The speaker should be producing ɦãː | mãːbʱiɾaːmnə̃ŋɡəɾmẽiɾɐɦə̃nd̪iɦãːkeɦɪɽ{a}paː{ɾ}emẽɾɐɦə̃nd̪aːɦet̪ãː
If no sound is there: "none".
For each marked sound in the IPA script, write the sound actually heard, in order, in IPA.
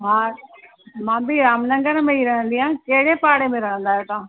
e, ɽ

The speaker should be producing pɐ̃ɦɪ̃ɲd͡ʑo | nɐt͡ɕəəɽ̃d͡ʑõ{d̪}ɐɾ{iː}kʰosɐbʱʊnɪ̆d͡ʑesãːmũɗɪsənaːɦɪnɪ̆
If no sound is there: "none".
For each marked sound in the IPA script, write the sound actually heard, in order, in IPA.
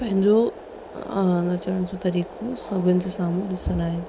t̪, iː

